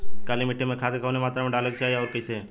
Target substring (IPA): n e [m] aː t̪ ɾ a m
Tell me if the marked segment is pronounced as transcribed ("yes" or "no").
yes